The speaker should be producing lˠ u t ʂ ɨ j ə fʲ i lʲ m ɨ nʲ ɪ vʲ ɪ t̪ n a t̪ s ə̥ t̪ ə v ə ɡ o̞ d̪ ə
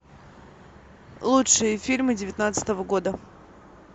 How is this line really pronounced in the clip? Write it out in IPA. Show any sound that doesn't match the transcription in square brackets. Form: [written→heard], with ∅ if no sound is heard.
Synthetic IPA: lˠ u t ʂ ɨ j ə fʲ i lʲ m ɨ [nʲ→dʲ] ɪ vʲ ɪ t̪ n a t̪ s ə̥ t̪ ə v ə ɡ o̞ d̪ ə